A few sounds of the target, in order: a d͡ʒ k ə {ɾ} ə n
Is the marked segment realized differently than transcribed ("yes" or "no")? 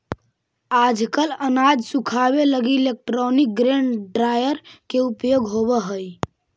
yes